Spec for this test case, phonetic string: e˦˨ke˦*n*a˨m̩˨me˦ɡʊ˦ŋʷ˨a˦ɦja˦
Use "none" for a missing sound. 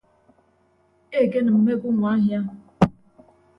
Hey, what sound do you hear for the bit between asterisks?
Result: n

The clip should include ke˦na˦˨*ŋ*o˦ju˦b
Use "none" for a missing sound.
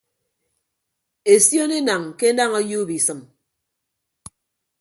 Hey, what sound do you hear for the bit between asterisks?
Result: ŋ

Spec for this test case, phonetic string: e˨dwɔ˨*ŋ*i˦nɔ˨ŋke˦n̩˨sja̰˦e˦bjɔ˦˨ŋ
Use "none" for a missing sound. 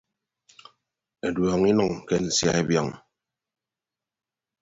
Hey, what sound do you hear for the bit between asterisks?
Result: ŋ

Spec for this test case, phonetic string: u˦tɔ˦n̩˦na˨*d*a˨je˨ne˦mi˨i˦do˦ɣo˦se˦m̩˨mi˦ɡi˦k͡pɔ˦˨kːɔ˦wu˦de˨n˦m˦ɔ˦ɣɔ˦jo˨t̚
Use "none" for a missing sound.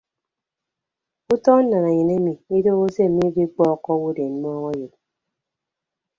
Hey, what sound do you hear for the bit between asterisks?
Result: n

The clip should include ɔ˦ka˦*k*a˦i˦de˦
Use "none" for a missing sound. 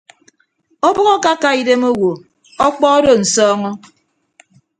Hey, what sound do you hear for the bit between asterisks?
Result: k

